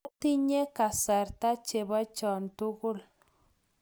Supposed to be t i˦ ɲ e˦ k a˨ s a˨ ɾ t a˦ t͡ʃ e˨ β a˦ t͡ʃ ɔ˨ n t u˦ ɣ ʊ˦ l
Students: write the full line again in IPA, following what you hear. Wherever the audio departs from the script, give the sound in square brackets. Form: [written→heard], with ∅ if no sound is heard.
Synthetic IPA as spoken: t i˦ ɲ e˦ k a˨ s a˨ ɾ t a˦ t͡ʃ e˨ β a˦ t͡ʃ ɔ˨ n t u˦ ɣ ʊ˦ l